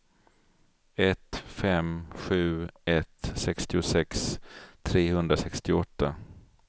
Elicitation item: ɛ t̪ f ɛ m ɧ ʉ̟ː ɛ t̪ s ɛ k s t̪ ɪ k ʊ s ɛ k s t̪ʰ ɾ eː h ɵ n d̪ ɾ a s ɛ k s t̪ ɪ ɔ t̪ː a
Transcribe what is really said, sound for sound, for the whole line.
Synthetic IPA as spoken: ɛ t̪ f ɛ m ɧ ʉ̟ː ɛ t̪ s ɛ k s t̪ ɪ ʊ s ɛ k s t̪ʰ ɾ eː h ɵ n d̪ ɾ a s ɛ k s t̪ ɪ ɔ t̪ː a